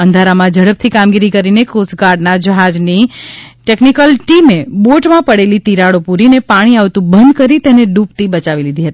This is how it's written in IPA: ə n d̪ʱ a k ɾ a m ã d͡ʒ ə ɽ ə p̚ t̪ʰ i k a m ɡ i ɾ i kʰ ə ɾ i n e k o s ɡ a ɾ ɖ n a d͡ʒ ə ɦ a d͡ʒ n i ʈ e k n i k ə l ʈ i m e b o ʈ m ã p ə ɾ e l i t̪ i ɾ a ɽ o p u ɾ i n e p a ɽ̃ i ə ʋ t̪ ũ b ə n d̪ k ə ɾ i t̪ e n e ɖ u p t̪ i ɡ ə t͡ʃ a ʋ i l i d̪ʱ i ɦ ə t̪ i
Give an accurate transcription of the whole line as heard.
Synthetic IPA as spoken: ə n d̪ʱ a ɾ a m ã d͡ʒ ə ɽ ə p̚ t̪ʰ i k a m ɡ i ɾ i k ə ɾ i n e k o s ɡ a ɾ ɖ n a d͡ʒ ə ɦ a d͡ʒ n i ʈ e k n i k ə l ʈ i m e b o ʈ m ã p ə ɽ e l i t̪ i ɾ a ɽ o p u ɾ i n e p a ɽ̃ i a ʋ t̪ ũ b ə n d̪ k ə ɾ i t̪ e n e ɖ u p t̪ i b ə t͡ʃ a ʋ i l i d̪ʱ i ɦ ə t̪ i

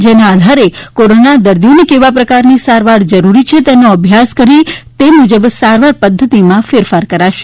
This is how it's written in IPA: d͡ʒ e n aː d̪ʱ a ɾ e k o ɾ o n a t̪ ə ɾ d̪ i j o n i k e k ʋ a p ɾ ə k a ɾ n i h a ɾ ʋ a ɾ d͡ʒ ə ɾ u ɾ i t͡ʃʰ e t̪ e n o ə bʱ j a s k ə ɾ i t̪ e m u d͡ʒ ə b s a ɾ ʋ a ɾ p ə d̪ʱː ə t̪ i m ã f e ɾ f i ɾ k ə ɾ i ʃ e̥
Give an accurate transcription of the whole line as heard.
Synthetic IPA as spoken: d͡ʒ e n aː d̪ʱ a ɾ e k o ɾ o n a d̪ ə ɾ d̪ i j o n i k e ʋ a p ɾ ə k a ɾ n i s a ɾ ʋ a ɾ d͡ʒ ə ɾ u ɾ i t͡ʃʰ e t̪ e n o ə bʱ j a s k ə ɾ i t̪ e m u d͡ʒ ə b s a ɾ ʋ a ɾ p ə d̪ʱː ə t̪ i m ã f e ɾ f a ɾ k ə ɾ a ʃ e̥

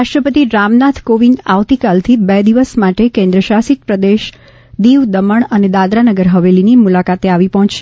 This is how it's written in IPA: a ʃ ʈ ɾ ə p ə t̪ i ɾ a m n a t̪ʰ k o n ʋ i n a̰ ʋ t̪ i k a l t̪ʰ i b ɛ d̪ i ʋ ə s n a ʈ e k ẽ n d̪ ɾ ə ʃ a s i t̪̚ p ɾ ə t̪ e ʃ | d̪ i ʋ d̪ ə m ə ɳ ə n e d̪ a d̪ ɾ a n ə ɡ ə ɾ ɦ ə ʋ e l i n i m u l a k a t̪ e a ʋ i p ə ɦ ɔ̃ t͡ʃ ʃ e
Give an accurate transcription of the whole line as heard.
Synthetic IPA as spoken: a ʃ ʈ ɾ ə p ə t̪ i ɾ a m n a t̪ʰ k o ʋ i n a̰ ʋ t̪ i k a l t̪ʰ i b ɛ d̪ i ʋ ə s m a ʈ e k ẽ n d̪ ɾ ə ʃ a s i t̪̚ p ɾ ə d̪ e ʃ | d̪ i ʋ d̪ ə m ə ɳ ə n e d̪ a d̪ ɾ a n ə ɡ ə ɾ ɦ ə ʋ e l i n i m u l a k a t̪ e a ʋ i p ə ɦ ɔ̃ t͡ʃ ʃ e

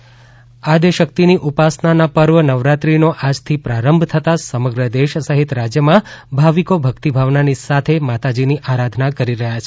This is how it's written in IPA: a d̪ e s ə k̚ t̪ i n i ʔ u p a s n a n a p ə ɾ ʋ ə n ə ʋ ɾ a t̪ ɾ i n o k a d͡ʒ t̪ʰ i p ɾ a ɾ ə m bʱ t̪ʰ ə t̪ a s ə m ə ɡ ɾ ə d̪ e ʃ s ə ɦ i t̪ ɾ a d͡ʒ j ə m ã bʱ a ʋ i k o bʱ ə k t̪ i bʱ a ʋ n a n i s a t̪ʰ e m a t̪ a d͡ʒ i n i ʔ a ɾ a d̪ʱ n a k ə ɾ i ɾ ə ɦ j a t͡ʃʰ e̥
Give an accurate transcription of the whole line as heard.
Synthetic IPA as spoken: a d̪ e ʃ ə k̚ t̪ i n i ʔ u p a s n a n a p ə ɾ ʋ ə n ə ʋ ɾ a t̪ ɾ i n o ʔ a d͡ʒ t̪ʰ i p ɾ a ɾ ə m bʱ t̪ʰ ə t̪ a s ə m ə ɡ ɾ ə d̪ e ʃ s ə ɦ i t̪ ɾ a d͡ʒ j ə m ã bʱ a ʋ i k o bʱ ə k t̪ i bʱ a ʋ n a n i s a t̪ʰ e m a t̪ a d͡ʒ i n i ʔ a ɾ a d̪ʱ n a k ə ɾ i ɾ ə ɦ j a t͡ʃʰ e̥

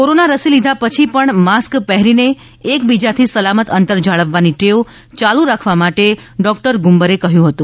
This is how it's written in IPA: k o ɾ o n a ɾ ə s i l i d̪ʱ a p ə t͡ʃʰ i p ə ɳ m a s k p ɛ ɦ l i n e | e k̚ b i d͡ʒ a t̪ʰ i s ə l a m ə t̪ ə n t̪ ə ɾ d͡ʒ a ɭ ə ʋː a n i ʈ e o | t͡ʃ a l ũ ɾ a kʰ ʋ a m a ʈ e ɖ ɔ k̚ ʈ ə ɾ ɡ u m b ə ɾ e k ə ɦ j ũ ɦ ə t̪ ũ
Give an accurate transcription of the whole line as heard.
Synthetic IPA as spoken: k o ɾ o n a ɾ ə s i l i d̪ʱ a p ə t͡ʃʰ i p ə ɳ m a s k p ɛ ɦ ɾ i n e | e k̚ b i d͡ʒ a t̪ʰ i s ə l a m ə t̪ ə n t̪ ə ɾ d͡ʒ a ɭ ə ʋː a n i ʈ e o | t͡ʃ a l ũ ɾ a kʰ ʋ a m a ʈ e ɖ ɔ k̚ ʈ ə ɾ ɡ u m b ə ɾ e k ə ɦ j ũ ɦ ə t̪ ũ

